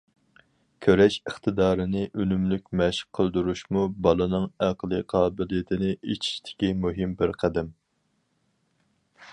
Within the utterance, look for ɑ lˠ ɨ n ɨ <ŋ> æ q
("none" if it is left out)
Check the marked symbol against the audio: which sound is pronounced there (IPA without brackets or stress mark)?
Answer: ŋ